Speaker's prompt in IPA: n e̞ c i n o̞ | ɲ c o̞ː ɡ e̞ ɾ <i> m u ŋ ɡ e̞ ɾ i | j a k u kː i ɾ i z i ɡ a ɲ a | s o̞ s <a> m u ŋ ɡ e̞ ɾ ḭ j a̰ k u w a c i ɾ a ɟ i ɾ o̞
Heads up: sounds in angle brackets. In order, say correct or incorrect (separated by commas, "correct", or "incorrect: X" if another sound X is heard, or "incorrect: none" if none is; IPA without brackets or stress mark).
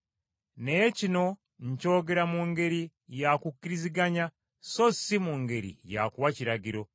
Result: incorrect: a, incorrect: i